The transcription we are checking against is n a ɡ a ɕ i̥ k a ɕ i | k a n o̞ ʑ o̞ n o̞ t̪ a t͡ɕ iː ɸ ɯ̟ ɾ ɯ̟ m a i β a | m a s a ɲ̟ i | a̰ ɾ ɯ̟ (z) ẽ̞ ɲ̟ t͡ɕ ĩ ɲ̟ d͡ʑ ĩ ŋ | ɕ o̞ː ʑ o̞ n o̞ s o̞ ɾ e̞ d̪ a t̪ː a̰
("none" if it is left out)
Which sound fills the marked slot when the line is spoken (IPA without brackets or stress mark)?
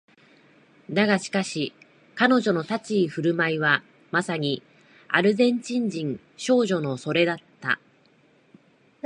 z